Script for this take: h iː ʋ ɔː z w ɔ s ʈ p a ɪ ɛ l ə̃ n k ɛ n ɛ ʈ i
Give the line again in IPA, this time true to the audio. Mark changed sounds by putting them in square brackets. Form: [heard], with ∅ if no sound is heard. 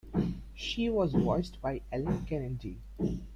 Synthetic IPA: [ʃ] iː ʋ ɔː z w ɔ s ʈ [b] a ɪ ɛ l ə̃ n k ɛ n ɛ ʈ i